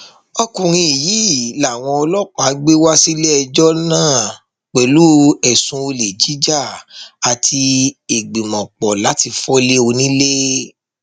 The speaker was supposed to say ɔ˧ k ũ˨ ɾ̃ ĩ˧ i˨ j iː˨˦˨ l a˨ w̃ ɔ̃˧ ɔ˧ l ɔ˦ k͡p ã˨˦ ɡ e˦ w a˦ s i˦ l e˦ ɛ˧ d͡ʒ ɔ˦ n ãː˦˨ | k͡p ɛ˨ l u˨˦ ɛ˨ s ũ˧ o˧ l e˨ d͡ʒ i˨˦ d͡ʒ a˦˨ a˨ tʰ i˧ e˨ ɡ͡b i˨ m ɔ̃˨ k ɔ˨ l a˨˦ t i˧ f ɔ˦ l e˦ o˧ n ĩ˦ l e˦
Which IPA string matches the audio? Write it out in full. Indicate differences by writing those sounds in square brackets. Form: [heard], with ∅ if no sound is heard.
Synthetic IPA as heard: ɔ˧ k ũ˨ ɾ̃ ĩ˧ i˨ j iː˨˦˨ l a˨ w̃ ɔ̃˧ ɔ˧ l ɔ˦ k͡p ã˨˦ [ɡ͡b] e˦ w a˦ s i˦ l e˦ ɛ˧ d͡ʒ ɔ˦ n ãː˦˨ | k͡p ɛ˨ l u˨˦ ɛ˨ s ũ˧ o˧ l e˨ d͡ʒ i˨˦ d͡ʒ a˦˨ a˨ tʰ i˧ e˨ ɡ͡b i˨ m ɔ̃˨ [k͡p] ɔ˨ l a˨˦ t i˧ f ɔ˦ l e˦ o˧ n ĩ˦ l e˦